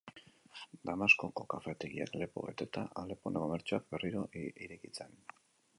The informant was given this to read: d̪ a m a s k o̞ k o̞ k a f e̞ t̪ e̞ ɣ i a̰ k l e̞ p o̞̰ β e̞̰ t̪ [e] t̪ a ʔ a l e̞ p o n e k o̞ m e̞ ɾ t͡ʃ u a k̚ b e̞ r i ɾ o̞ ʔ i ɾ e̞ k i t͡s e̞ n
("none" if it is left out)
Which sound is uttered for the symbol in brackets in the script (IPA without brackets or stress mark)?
e